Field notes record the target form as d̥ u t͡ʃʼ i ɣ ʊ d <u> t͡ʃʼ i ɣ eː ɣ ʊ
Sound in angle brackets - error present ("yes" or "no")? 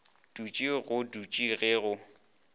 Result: no